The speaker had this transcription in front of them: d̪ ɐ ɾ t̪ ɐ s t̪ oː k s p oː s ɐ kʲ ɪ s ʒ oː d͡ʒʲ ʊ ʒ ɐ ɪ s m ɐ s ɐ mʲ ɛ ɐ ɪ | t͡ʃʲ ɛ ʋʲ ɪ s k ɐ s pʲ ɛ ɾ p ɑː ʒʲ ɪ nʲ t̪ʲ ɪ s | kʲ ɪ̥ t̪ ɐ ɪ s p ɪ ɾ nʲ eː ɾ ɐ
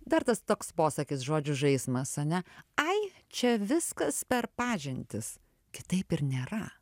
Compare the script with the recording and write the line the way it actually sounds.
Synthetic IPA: d̪ ɐ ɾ t̪ ɐ s t̪ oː k s p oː s ɐ kʲ ɪ s ʒ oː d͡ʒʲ ʊ ʒ ɐ ɪ s m ɐ s ɐ nʲ ɛ ɐ ɪ | t͡ʃʲ ɛ ʋʲ ɪ s k ɐ s pʲ ɛ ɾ p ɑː ʒʲ ɪ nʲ t̪ʲ ɪ s | kʲ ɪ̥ t̪ ɐ ɪ p ɪ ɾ nʲ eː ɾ ɐ